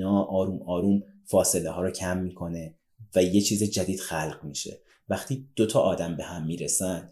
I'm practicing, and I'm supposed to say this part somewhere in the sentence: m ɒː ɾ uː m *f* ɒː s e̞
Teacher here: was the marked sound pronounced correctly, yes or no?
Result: yes